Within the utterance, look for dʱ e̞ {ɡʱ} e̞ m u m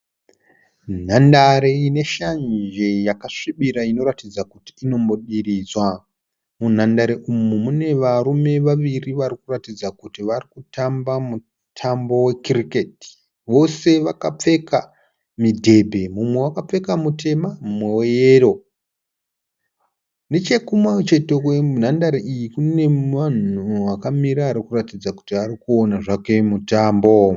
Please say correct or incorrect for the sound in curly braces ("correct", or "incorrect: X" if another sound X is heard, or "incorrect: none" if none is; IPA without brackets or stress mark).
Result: incorrect: bʱ